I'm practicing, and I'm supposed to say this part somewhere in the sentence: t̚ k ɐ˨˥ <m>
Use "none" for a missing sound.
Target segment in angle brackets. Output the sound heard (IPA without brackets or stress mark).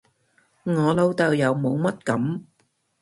m